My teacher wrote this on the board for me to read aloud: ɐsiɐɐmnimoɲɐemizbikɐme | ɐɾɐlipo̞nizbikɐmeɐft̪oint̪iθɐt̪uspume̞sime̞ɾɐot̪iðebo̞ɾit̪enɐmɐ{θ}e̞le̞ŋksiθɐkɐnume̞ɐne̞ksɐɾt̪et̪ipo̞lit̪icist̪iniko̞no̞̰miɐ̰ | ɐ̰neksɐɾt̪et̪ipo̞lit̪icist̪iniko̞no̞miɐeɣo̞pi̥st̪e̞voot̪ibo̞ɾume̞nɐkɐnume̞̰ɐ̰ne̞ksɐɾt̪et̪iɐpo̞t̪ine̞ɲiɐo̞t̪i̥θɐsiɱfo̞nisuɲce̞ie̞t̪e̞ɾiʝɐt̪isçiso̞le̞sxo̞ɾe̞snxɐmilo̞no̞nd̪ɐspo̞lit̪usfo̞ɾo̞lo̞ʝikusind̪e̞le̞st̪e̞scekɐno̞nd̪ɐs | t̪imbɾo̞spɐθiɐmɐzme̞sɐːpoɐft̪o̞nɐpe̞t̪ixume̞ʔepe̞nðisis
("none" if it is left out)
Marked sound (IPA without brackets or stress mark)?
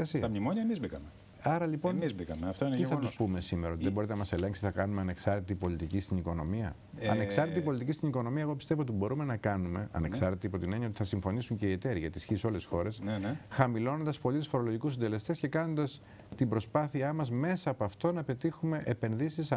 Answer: s